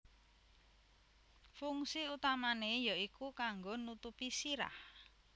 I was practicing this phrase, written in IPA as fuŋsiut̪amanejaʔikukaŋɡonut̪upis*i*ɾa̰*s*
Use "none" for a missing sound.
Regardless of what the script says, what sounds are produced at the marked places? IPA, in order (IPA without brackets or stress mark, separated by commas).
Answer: i, h